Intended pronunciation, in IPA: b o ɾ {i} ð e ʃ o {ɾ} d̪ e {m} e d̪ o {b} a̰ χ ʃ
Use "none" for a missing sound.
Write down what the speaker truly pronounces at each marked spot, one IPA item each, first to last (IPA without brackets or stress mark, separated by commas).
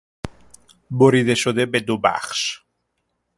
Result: i, none, b, b